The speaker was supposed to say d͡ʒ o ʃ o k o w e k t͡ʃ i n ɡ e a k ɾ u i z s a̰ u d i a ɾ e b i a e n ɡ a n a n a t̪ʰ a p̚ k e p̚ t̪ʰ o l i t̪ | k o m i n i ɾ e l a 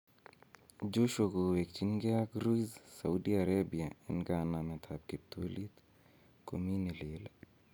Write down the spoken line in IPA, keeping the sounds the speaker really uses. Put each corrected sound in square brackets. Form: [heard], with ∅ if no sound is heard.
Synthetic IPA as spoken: d͡ʒ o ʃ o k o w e k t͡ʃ i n ɡ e a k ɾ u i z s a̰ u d i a ɾ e b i a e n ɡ a n a n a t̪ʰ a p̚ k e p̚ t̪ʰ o l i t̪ | k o m i n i [l] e l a

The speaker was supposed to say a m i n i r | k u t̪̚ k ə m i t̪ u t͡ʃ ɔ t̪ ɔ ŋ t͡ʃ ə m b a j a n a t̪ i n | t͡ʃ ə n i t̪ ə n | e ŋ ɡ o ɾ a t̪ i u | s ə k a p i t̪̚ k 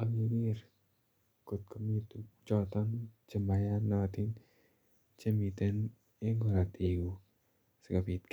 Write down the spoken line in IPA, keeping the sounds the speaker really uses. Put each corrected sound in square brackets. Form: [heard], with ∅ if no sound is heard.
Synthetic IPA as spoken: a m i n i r | k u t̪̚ k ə m i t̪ u t͡ʃ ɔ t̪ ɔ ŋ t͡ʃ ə m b a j a n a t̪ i n | t͡ʃ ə [m] i t̪ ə n | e ŋ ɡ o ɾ a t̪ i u | s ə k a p i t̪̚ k

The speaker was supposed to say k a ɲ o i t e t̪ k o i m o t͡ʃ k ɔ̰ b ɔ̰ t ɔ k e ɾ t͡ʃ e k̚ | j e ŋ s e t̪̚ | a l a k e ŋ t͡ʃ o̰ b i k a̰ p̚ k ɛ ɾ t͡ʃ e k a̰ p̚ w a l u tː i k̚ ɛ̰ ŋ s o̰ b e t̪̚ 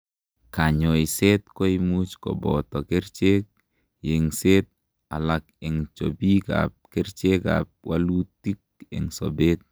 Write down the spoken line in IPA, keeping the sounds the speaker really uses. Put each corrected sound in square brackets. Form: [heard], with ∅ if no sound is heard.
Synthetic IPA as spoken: k a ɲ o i [s] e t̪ k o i m [u] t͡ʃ k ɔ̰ b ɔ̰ t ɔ k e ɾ t͡ʃ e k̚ | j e ŋ s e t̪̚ | a l a k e ŋ t͡ʃ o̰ b i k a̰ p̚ k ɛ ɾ t͡ʃ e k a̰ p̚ w a l u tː i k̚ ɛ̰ ŋ s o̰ b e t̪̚

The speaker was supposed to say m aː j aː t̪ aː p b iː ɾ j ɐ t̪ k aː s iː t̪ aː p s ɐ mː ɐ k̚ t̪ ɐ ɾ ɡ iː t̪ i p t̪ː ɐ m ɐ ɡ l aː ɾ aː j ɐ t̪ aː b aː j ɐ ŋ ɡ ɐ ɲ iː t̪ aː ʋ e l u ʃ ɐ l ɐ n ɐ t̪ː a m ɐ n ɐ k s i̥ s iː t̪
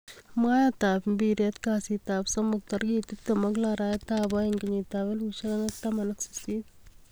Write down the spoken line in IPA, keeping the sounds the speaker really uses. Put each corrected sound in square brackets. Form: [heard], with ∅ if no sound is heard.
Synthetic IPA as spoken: m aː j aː t̪ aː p b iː ɾ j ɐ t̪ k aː s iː t̪ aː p s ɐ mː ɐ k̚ t̪ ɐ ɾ ɡ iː t̪ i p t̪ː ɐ m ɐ ɡ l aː ɾ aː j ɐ t̪ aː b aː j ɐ ŋ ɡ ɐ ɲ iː t̪ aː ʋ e l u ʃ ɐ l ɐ n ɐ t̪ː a m ɐ n ɐ k s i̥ s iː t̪

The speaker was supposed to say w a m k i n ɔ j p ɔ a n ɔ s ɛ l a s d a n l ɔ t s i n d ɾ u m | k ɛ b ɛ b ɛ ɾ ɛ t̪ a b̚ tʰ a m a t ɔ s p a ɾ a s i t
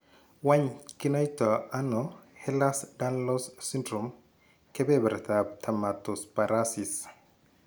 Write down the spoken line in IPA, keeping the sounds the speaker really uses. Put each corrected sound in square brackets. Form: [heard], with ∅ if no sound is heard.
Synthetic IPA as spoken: w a [ɲ] k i n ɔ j [t] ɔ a n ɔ [h] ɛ l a s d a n l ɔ [s] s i n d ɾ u m | k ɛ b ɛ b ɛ ɾ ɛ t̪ a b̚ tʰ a m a t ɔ s p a ɾ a s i [s]

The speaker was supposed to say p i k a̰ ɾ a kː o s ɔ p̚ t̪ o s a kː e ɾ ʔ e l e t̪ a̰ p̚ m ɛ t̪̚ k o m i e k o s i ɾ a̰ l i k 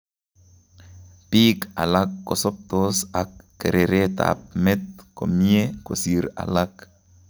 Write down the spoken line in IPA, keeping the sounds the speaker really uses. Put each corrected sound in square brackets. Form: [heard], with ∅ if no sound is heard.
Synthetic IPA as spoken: p i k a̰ [l] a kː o s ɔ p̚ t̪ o s a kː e ɾ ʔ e [ɾ] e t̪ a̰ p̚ m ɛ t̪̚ k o m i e k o s i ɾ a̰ l [a] k

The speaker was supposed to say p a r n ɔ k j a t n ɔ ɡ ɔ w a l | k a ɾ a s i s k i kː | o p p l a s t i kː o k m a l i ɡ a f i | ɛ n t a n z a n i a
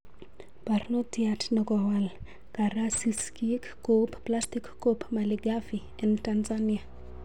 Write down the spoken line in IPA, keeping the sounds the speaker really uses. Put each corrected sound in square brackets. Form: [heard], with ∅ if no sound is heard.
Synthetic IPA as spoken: p a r n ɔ [t] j a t n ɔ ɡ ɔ w a l | k a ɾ a s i s k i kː | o p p l a s t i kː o [p] m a l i ɡ a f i | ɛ n t a n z a n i a

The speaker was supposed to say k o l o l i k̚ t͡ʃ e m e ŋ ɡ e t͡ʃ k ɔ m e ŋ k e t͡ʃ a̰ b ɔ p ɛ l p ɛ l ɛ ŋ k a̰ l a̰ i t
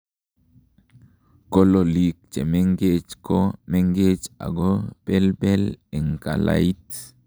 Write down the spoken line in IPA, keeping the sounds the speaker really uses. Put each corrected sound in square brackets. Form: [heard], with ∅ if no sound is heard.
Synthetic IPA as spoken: k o l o l i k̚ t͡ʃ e m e ŋ ɡ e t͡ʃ k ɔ m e ŋ [ɡ] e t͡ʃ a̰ [ɡ] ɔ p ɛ l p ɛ l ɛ ŋ k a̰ l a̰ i t

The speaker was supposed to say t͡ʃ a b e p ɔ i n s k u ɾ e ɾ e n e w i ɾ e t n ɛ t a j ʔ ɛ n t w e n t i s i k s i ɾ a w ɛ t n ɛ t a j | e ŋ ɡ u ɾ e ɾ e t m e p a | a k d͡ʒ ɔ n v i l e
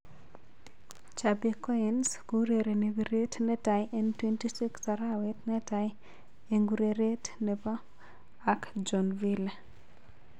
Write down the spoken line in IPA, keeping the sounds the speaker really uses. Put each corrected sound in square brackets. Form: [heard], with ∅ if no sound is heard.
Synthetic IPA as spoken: t͡ʃ a b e [k] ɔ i n s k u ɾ e ɾ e n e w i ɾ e t n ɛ t a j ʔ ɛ n t w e n t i s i k s [a] ɾ a w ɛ t n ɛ t a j | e ŋ ɡ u ɾ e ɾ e t [n] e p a | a k d͡ʒ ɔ n v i l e

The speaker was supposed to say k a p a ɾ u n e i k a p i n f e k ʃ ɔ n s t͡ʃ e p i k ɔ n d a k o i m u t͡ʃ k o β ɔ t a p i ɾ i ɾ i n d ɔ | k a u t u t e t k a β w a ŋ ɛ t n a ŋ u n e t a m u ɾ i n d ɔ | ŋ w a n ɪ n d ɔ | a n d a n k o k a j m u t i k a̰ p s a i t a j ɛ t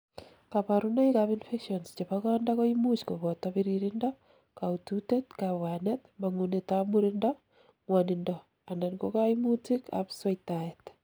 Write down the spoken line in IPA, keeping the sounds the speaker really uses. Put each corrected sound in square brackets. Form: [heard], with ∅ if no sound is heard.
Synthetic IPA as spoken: k a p a ɾ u n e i k a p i n f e k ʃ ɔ n s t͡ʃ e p [a] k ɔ n d a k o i m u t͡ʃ k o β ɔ t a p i ɾ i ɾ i n d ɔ | k a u t u t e t k a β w a [n] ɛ t [m] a ŋ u n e t a m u ɾ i n d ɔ | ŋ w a n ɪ n d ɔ | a n d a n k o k a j m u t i k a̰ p s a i t a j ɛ t

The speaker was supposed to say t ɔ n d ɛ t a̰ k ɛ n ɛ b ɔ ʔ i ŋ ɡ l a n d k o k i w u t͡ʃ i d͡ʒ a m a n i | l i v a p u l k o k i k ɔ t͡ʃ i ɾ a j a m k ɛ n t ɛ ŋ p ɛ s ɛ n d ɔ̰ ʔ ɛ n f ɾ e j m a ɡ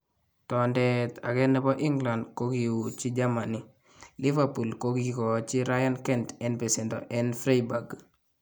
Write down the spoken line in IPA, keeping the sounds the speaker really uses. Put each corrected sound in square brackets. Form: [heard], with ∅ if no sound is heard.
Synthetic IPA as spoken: t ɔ n d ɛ t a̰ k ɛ n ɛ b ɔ ʔ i ŋ ɡ l a n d k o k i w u t͡ʃ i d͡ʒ a m a n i | l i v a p u l k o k i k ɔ t͡ʃ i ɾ a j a [n] k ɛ n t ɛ [n] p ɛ s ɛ n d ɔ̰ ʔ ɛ n f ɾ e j [b] a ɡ

